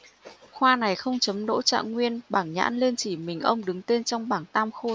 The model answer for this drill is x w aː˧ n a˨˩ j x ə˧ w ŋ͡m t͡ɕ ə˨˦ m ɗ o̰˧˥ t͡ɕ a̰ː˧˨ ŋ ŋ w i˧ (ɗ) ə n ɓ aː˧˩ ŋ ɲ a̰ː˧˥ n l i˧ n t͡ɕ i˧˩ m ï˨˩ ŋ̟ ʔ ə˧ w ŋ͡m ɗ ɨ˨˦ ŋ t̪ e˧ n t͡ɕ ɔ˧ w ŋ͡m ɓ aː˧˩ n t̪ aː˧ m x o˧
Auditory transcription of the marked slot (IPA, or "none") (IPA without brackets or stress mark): none